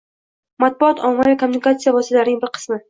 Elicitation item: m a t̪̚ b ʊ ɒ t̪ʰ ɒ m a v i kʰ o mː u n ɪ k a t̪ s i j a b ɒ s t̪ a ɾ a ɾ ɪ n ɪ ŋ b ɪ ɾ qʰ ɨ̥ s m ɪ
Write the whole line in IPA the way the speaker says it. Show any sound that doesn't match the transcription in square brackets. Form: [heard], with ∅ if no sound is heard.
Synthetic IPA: m a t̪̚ b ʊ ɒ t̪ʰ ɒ m a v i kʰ o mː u n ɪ k a t̪ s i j a [v] ɒ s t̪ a [l] a ɾ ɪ n ɪ ŋ b ɪ ɾ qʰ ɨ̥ s m ɪ